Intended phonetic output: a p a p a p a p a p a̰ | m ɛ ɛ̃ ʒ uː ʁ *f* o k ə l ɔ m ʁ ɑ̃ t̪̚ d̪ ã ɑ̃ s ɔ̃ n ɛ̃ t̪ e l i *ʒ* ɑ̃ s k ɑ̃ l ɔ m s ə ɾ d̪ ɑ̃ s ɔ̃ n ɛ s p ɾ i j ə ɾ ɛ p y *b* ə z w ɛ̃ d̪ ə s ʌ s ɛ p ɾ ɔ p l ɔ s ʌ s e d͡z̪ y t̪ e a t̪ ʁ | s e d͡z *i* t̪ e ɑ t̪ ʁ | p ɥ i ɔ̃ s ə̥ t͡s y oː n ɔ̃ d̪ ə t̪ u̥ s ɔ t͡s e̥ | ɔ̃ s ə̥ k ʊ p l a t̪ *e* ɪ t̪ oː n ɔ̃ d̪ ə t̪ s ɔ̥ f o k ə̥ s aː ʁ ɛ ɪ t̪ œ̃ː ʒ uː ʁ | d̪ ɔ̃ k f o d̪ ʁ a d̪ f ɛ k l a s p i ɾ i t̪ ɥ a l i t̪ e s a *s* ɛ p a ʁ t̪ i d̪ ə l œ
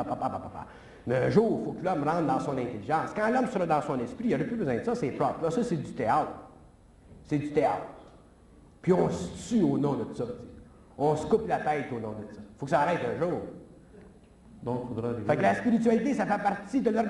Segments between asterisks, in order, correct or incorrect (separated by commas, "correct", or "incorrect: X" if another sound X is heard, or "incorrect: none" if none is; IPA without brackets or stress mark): correct, correct, correct, incorrect: y, incorrect: ɛ, incorrect: f